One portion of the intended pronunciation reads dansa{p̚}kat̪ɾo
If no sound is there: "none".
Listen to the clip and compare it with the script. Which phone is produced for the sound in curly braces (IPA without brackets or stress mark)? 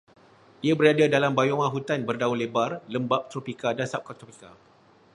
p̚